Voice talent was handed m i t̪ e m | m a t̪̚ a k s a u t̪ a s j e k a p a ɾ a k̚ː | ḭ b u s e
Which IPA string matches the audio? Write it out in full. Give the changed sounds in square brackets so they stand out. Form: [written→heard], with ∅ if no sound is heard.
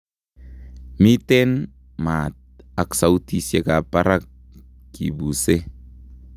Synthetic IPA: m i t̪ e [m→n] | m a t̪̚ a k s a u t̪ [a→i] s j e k a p a ɾ a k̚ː | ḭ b u s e